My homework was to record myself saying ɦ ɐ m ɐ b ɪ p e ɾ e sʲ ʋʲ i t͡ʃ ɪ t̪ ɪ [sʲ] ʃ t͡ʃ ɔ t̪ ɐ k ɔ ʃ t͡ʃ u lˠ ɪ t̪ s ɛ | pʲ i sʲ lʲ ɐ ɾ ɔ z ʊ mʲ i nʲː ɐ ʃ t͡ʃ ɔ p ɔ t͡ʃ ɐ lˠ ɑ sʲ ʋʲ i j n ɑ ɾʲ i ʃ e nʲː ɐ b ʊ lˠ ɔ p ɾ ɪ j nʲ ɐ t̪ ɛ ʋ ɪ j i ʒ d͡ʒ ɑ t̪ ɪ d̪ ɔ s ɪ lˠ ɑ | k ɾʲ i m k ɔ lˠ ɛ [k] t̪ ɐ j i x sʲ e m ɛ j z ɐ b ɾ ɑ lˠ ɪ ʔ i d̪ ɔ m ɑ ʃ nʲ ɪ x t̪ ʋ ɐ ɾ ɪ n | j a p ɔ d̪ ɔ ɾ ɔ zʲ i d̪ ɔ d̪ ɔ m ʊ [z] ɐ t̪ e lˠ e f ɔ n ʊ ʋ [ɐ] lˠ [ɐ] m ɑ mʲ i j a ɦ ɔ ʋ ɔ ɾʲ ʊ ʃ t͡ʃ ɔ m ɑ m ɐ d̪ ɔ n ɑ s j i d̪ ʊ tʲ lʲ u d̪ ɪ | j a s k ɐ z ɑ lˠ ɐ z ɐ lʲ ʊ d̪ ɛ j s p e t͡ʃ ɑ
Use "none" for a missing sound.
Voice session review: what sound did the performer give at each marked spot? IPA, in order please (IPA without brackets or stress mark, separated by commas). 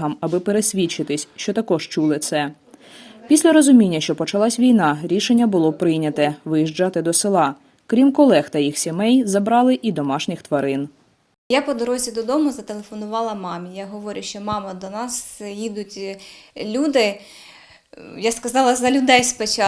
sʲ, x, z, ɑ, ɐ